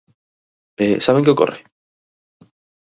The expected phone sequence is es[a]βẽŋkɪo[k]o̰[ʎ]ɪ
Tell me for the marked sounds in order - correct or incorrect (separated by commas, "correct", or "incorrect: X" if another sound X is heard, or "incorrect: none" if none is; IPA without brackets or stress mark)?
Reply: correct, correct, incorrect: r